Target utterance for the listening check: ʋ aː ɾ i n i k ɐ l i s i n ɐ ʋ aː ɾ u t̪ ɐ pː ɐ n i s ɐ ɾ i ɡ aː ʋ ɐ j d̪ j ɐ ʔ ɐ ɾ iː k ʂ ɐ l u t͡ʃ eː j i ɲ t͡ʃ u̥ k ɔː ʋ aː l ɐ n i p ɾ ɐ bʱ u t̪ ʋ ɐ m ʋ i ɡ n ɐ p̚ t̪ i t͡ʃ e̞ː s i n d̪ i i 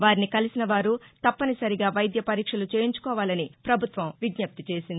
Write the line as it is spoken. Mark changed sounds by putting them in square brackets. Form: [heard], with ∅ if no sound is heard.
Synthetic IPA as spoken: ʋ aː ɾ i n i k ɐ l i s i n ɐ ʋ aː ɾ u t̪ ɐ pː ɐ n i s ɐ ɾ i ɡ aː ʋ ɐ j d̪ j ɐ [p] ɐ ɾ iː k ʂ ɐ l u t͡ʃ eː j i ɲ t͡ʃ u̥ k ɔː ʋ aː l ɐ n i p ɾ ɐ bʱ u t̪ ʋ ɐ m ʋ i ɡ [ɲ] ɐ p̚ t̪ i t͡ʃ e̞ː s i n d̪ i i